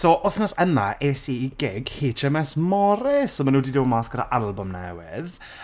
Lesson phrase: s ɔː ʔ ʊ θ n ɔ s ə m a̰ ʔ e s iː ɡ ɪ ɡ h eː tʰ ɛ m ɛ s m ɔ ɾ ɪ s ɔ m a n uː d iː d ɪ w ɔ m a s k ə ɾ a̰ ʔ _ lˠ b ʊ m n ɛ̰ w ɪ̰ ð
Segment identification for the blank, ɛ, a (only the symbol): a